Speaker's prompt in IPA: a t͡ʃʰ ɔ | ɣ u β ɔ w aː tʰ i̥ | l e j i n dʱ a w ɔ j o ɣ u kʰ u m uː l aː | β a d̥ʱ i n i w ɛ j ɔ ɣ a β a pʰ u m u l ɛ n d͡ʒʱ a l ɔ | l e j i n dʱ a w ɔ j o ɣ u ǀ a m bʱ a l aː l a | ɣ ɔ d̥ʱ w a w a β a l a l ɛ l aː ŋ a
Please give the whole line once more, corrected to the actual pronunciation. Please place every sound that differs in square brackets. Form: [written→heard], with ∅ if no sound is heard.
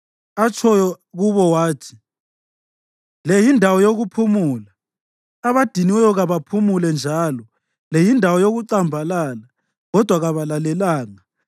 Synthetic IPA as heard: a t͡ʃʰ ɔ | ɣ u β ɔ w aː tʰ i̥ | l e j i n dʱ a w ɔ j o ɣ u [kʰ→pʰ] u m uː l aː | β a d̥ʱ i n i w ɛ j ɔ ɣ a β a pʰ u m u l ɛ n d͡ʒʱ a l ɔ | l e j i n dʱ a w ɔ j o ɣ u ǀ a m bʱ a l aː l a | ɣ ɔ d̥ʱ w a [w→ɣ] a β a l a l ɛ l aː ŋ a